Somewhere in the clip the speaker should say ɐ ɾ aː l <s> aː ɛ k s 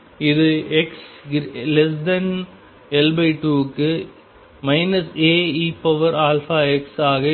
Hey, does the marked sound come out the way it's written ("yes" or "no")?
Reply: no